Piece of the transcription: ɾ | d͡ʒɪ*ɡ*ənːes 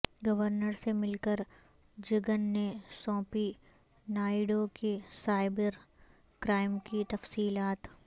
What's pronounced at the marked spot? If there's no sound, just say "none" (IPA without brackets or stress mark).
ɡ